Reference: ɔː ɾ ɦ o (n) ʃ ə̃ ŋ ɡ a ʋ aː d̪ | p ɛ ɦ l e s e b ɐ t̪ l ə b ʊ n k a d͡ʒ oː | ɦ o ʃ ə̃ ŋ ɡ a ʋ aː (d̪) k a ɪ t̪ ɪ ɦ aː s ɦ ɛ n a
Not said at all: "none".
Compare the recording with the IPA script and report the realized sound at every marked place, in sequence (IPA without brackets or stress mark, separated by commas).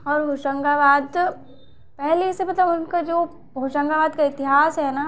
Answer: none, d̪